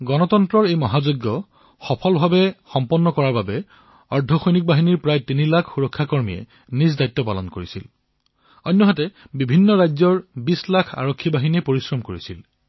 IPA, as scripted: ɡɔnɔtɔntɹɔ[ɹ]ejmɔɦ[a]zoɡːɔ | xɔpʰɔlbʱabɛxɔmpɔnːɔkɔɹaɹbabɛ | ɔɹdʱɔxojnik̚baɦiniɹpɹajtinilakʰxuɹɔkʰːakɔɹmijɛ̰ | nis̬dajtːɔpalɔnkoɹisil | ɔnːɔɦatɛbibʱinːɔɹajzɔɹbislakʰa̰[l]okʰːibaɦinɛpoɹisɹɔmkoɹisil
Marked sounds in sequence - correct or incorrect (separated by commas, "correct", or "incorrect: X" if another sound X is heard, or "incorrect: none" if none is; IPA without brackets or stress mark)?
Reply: correct, correct, incorrect: ɹ